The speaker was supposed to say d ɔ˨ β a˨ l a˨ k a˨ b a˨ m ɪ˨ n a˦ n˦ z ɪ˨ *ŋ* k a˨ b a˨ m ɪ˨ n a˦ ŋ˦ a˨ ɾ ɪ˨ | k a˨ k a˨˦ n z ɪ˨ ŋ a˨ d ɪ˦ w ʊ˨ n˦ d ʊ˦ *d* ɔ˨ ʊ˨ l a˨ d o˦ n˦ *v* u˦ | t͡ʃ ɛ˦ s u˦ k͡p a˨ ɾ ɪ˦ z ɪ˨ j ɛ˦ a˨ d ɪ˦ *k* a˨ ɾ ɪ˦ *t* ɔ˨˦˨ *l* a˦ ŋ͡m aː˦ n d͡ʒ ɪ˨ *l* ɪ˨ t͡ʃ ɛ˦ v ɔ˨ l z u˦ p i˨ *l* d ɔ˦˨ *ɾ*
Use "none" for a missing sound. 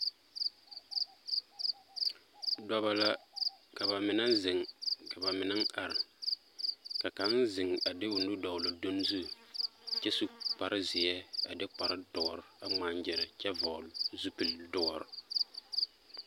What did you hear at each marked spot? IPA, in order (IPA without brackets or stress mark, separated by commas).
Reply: ŋ, d, z, k͡p, d, ɾ, ɾ, l, ɾ